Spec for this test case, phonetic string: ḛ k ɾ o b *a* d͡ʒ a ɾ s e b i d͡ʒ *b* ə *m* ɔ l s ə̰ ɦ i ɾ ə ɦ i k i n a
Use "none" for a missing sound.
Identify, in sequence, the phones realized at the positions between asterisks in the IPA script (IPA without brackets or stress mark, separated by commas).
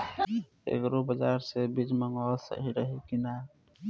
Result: ə, m, ŋ